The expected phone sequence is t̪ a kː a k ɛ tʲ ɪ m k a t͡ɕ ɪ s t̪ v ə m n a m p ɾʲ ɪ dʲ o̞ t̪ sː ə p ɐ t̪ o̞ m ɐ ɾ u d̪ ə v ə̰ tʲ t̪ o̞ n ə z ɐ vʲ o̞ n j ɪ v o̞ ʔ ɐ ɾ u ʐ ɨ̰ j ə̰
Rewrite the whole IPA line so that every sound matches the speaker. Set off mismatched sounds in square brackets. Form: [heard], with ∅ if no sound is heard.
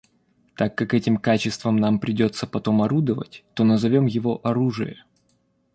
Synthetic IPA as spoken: t̪ a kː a k ɛ tʲ ɪ m k a t͡ɕ ɪ s t̪ v ə m n a m p ɾʲ ɪ dʲ o̞ t̪ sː ə p ɐ t̪ o̞ m ɐ ɾ u d̪ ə v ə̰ tʲ t̪ o̞ n ə z ɐ vʲ o̞ [m] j ɪ v o̞ ʔ ɐ ɾ u ʐ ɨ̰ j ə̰